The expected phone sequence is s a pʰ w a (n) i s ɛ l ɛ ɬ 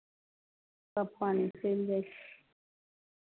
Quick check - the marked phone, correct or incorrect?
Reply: correct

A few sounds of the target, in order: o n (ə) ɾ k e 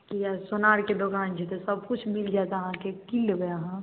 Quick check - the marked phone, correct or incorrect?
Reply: incorrect: a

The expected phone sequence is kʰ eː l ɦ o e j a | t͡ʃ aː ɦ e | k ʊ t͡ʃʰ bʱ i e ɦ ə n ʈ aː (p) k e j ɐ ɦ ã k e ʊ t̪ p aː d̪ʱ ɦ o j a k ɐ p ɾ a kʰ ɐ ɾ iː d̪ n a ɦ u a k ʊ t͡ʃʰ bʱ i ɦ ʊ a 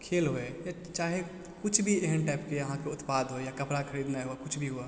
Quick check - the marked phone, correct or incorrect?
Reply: correct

